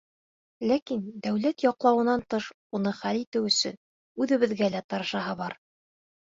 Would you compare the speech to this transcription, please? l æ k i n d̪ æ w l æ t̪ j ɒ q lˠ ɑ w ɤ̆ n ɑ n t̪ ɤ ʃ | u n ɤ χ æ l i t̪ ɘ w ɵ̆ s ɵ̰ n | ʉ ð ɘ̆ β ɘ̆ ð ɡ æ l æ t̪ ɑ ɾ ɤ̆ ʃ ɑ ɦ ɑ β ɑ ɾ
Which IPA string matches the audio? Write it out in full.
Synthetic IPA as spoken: l æ k i n d̪ æ w l æ t̪ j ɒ q lˠ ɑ w ɤ̆ n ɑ n t̪ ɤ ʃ | u n ɤ χ æ l i t̪ ɘ w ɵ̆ s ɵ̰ n | ʉ ð ɘ̆ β ɘ̆ ð ɡ æ l æ t̪ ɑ ɾ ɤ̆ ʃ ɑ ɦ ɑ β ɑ ɾ